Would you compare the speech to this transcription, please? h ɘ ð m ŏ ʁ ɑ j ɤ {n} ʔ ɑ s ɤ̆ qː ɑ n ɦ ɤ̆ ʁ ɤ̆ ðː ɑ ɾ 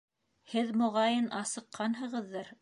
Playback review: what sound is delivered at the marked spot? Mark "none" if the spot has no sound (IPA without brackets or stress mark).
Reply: n